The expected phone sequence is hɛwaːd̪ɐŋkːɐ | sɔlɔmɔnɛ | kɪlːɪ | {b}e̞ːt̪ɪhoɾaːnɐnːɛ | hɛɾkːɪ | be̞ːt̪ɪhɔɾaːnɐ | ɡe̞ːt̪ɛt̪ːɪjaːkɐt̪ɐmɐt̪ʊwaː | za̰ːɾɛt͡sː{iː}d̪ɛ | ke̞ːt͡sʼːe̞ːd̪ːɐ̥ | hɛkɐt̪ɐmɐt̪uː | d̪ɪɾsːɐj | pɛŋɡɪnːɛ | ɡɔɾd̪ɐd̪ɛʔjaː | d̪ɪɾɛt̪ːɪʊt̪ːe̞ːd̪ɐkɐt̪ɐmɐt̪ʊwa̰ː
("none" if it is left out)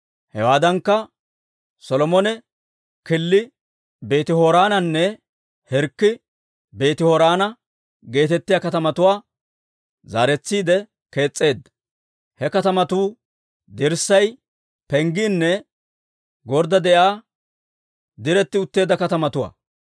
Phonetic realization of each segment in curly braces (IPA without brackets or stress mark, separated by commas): b, iː